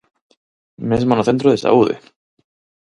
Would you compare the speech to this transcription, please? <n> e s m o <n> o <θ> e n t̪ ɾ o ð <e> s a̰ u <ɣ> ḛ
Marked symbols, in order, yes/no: no, yes, yes, yes, no

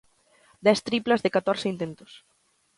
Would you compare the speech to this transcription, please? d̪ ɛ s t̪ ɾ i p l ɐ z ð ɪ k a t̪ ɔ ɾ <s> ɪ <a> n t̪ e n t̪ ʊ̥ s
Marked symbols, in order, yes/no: yes, no

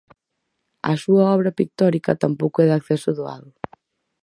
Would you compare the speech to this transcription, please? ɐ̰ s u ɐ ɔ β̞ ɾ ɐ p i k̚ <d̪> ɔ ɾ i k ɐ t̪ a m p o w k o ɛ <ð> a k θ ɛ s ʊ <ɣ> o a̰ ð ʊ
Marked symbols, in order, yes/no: no, yes, no

